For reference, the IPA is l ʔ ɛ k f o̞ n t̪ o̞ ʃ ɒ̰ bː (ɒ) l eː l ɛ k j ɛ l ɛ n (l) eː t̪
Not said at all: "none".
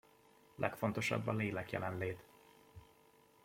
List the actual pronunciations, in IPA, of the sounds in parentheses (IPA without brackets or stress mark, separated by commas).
ɒ, l